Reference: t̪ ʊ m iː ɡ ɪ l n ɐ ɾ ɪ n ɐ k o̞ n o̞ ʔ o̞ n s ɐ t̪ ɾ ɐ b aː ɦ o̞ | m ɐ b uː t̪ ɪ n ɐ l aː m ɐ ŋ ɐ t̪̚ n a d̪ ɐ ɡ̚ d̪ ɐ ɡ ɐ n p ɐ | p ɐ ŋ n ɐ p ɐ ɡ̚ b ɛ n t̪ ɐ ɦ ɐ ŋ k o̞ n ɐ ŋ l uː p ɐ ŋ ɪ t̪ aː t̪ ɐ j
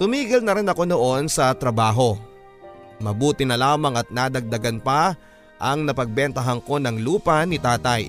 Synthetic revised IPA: t̪ ʊ m iː ɡ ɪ l n ɐ ɾ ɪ n ɐ k o̞ n o̞ ʔ o̞ n s ɐ t̪ ɾ ɐ b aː ɦ o̞ | m ɐ b uː t̪ ɪ n ɐ l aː m ɐ ŋ ɐ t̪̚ n a d̪ ɐ ɡ̚ d̪ ɐ ɡ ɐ n p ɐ | ʔ ɐ ŋ n ɐ p ɐ ɡ̚ b ɛ n t̪ ɐ ɦ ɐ ŋ k o̞ n ɐ ŋ l uː p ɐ n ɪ t̪ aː t̪ ɐ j